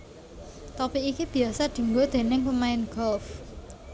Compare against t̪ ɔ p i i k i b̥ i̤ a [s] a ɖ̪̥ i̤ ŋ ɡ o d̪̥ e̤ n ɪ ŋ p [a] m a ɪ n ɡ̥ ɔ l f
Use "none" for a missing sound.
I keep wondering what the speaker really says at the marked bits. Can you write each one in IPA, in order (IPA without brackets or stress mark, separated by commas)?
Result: s, ə